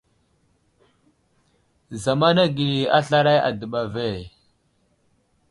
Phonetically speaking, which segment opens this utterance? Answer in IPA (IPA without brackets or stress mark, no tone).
z